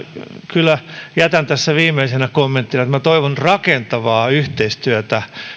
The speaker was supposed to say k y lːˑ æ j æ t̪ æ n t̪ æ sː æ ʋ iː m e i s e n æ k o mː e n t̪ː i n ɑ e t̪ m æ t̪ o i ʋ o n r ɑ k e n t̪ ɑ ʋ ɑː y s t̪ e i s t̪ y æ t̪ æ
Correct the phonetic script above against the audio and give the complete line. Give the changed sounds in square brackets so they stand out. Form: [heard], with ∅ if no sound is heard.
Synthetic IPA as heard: k y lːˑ æ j æ t̪ æ n t̪ æ sː æ ʋ iː m e i s e n æ k o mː e n t̪ː i n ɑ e t̪ m æ t̪ o i ʋ o n r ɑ k e n t̪ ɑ ʋ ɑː y [h] t̪ e i s t̪ y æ t̪ æ